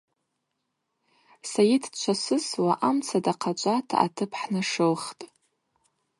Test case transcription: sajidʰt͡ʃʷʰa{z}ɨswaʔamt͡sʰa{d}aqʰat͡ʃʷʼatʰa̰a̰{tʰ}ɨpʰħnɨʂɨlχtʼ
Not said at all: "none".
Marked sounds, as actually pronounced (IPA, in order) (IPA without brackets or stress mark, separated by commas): s, d, tʰ